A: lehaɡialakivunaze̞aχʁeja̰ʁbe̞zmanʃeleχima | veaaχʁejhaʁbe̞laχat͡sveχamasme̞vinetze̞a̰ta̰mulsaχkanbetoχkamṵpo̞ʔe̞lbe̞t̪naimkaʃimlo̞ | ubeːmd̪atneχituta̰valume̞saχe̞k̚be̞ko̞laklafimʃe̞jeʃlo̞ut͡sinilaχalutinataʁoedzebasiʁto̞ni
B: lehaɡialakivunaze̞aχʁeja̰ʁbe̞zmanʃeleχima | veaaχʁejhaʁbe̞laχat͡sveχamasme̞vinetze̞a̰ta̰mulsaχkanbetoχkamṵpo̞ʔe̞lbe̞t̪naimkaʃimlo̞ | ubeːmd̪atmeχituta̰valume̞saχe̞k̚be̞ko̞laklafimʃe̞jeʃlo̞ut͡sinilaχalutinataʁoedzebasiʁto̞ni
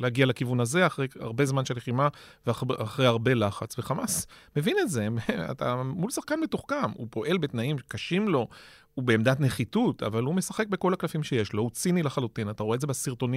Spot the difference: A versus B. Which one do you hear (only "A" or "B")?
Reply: A